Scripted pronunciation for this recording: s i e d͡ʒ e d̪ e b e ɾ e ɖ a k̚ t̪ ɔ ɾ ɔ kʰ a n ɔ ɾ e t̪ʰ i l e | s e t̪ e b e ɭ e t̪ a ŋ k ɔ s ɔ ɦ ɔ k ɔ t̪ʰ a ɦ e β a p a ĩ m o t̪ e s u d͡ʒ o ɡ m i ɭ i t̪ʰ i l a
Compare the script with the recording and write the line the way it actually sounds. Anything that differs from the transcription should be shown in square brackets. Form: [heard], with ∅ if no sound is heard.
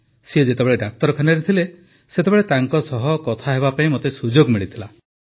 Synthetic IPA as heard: s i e d͡ʒ e [t̪] e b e [ɭ] e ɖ a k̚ t̪ ɔ ɾ ɔ kʰ a n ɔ ɾ e t̪ʰ i l e | s e t̪ e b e ɭ e t̪ a ŋ k ɔ s ɔ ɦ ɔ k ɔ t̪ʰ a ɦ e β a p a ĩ m o t̪ e s u d͡ʒ o ɡ m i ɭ i t̪ʰ i l a

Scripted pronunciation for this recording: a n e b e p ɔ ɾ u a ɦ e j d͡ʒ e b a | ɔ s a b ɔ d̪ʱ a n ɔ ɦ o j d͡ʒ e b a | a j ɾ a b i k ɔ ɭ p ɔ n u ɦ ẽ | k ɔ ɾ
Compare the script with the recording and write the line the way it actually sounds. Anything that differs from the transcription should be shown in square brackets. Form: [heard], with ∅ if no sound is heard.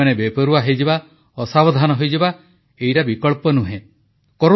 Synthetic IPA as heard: a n e b e p ɔ ɾ u a ɦ e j d͡ʒ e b a | ɔ s a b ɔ d̪ʱ a n ɔ ɦ o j d͡ʒ e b a | [e] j ɾ a b i k ɔ ɭ p ɔ n u ɦ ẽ | k ɔ ɾ

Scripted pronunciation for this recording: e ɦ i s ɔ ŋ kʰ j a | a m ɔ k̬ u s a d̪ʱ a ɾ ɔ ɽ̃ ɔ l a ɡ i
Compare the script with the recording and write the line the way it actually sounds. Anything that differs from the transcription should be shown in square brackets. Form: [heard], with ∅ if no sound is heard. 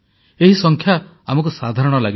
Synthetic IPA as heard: e ɦ i s ɔ ŋ kʰ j a | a m ɔ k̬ u s a d̪ʱ a ɾ ɔ ɽ̃ ɔ l a ɡ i

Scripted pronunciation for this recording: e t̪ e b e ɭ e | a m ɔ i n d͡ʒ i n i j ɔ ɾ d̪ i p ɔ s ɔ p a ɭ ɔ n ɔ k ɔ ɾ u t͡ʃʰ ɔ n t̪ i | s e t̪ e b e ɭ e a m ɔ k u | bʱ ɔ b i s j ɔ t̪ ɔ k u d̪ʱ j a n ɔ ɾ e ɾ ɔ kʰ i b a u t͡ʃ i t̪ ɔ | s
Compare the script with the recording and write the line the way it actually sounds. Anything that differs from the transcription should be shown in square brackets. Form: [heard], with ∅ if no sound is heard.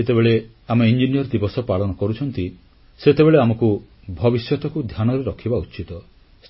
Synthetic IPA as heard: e t̪ e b e ɭ e | a m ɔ i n d͡ʒ i n i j ɔ ɾ d̪ i [b] ɔ s ɔ p a ɭ ɔ n ɔ k ɔ ɾ u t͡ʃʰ ɔ n t̪ i | s e t̪ e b e ɭ e a m ɔ k u | bʱ ɔ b i s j ɔ t̪ ɔ k u d̪ʱ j a n ɔ ɾ e ɾ ɔ kʰ i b a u t͡ʃ i t̪ ɔ | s

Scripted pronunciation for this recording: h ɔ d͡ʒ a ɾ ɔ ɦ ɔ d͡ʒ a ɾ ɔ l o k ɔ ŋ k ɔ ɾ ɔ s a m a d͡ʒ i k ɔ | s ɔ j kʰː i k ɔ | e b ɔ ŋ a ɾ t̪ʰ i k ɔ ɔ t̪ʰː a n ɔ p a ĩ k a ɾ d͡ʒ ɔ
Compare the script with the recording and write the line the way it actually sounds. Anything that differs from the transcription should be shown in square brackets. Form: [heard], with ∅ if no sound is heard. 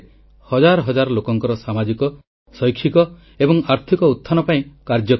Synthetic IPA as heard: h ɔ d͡ʒ a ɾ ɔ ɦ ɔ d͡ʒ a ɾ ɔ l o k ɔ ŋ k ɔ ɾ ɔ s a m a d͡ʒ i k ɔ | s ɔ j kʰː i k ɔ | e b ɔ ŋ a ɾ t̪ʰ i k ɔ [u] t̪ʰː a n ɔ p a ĩ k a ɾ d͡ʒ ɔ

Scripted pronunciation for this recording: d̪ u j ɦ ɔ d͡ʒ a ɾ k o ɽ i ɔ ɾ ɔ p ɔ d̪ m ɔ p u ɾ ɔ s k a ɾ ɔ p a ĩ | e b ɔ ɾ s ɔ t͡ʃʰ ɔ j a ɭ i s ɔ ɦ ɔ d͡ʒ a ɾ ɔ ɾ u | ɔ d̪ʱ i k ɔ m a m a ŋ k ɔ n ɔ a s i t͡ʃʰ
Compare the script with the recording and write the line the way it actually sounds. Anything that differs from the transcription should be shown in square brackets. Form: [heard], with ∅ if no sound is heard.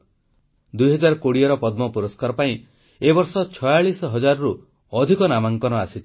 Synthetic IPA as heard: d̪ u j ɦ ɔ d͡ʒ a ɾ k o ɽ i ɔ ɾ ɔ p ɔ d̪ m ɔ p u ɾ ɔ s k a ɾ ɔ p a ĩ | e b ɔ ɾ s ɔ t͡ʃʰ ɔ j a ɭ i s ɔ ɦ ɔ d͡ʒ a ɾ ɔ ɾ u | ɔ d̪ʱ i k ɔ [n] a m a ŋ k ɔ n ɔ a s i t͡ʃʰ

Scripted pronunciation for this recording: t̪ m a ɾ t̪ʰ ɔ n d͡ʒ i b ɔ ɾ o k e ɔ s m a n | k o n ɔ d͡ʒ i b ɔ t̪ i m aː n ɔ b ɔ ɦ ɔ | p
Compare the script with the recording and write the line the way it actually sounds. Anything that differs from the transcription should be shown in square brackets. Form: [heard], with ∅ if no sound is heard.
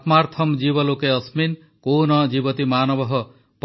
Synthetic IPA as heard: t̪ m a ɾ t̪ʰ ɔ [m] d͡ʒ i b ɔ [l] o k e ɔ s m [i] n | k o n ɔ d͡ʒ i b ɔ t̪ i m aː n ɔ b ɔ ɦ ɔ | p

